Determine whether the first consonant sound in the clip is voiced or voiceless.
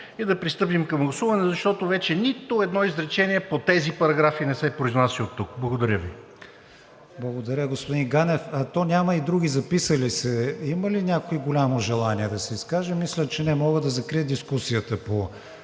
voiced